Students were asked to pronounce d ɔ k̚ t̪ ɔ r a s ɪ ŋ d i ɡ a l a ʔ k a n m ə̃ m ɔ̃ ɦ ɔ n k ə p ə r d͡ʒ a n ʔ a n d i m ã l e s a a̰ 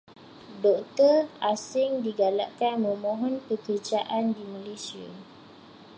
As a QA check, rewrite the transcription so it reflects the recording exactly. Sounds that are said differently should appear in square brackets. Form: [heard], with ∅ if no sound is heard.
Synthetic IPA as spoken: d ɔ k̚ t̪ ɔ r a s ɪ ŋ d i ɡ a l a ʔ k a n m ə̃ m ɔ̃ ɦ ɔ n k ə [k] ə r d͡ʒ a [∅] ʔ a n d i m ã l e s [i] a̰